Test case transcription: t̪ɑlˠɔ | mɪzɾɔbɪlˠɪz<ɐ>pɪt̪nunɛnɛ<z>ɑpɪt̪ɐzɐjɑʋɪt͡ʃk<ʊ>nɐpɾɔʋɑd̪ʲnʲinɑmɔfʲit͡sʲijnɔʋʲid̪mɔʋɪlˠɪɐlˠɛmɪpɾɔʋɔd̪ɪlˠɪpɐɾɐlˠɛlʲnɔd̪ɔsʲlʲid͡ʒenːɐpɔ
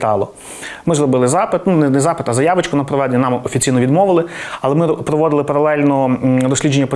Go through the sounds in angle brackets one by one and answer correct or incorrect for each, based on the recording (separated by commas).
incorrect, correct, correct